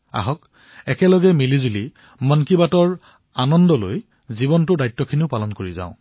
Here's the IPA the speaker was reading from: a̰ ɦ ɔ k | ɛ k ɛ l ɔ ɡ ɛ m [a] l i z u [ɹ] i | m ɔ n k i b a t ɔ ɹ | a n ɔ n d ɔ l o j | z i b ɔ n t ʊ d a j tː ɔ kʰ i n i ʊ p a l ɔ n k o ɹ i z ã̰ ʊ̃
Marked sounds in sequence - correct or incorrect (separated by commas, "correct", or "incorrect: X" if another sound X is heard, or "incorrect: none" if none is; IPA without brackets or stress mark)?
incorrect: i, incorrect: l